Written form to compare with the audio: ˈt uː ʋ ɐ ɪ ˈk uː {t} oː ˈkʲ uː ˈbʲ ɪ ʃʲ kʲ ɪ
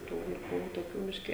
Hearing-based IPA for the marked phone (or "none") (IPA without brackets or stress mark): t